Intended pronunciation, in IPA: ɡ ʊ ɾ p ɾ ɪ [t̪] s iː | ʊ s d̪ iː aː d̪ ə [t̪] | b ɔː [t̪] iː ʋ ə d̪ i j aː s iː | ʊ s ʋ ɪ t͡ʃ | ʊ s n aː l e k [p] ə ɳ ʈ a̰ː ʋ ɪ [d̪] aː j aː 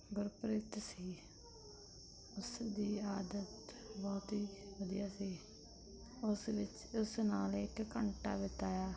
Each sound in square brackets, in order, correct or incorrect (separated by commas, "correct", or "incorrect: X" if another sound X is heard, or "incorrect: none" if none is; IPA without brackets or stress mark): correct, correct, correct, incorrect: k, incorrect: t̪